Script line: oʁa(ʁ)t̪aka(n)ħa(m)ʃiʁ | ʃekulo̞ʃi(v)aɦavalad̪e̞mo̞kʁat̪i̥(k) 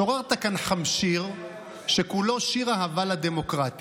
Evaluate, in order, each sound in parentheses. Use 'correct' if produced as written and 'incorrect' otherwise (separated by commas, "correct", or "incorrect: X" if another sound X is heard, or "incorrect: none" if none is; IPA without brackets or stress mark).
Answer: correct, correct, correct, incorrect: ʁ, incorrect: none